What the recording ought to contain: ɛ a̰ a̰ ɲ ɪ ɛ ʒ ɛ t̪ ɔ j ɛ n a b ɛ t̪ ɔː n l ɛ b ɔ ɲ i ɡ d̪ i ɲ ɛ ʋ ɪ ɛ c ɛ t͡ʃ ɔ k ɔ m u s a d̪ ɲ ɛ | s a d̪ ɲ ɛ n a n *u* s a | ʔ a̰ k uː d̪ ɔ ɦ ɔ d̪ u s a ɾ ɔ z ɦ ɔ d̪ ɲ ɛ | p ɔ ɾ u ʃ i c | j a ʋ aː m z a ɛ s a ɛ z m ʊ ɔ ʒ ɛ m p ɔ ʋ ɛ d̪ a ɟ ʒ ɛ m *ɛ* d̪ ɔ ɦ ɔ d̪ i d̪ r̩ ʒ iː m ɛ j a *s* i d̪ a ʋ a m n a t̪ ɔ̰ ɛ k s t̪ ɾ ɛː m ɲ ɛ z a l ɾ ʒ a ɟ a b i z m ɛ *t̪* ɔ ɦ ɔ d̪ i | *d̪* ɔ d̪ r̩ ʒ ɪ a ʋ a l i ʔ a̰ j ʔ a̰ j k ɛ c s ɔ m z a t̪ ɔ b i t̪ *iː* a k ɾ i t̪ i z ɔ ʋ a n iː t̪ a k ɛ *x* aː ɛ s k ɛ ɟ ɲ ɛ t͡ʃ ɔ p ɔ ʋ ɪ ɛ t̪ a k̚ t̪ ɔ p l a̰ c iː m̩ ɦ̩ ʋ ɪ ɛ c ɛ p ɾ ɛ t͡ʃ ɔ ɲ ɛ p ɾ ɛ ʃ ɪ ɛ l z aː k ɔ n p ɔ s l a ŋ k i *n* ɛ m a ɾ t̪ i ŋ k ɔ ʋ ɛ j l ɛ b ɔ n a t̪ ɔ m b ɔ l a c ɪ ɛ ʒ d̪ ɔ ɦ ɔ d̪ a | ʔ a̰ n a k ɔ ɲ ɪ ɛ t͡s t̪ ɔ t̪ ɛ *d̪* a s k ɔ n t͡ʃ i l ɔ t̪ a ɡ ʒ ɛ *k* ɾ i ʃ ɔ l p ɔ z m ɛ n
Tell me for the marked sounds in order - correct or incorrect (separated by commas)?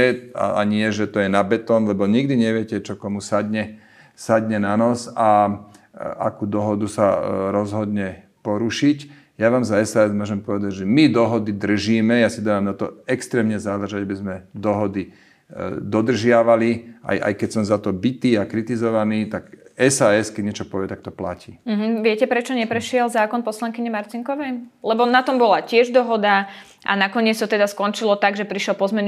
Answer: incorrect, incorrect, correct, incorrect, correct, correct, incorrect, incorrect, correct, incorrect